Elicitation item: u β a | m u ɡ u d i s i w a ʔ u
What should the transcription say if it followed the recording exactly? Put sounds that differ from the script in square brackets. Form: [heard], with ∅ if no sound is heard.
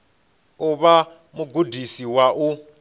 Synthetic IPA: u β a | m u ɡ u d i s i w a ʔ u